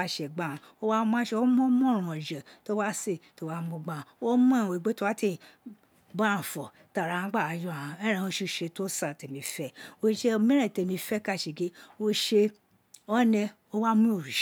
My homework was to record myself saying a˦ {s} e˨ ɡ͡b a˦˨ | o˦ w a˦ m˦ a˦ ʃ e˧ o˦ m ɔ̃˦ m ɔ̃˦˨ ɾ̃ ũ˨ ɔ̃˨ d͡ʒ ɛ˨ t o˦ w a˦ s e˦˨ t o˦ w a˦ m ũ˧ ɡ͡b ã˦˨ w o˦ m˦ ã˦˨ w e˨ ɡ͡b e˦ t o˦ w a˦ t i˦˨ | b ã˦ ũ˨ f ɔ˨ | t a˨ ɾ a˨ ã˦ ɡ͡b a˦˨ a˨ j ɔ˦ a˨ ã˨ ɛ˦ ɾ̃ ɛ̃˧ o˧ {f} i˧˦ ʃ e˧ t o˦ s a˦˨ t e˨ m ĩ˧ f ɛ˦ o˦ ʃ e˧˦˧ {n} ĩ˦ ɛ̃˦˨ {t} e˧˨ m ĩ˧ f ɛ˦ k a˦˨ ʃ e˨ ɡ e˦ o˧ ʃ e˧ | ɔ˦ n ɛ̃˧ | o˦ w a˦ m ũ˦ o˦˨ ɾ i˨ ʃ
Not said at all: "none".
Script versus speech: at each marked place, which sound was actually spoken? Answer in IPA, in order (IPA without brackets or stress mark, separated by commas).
ʃ, ʃ, m, t